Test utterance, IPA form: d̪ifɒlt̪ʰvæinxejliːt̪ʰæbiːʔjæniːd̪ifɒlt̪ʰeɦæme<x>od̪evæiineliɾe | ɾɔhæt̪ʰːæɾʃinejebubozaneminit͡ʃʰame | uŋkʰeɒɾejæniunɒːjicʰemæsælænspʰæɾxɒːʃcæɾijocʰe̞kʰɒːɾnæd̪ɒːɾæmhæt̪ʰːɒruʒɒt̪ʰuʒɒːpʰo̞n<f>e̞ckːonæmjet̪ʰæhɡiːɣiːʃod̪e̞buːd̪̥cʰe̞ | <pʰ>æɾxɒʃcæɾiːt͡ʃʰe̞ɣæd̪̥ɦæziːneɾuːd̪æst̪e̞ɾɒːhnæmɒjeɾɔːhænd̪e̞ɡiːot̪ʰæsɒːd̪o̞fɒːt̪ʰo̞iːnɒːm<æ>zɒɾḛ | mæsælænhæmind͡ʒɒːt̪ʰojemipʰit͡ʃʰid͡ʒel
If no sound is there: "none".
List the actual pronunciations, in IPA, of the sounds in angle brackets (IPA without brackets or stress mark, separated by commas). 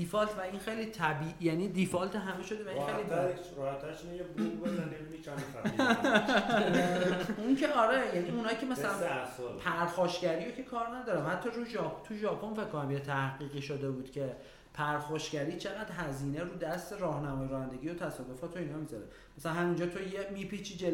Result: ʃ, f, pʰ, i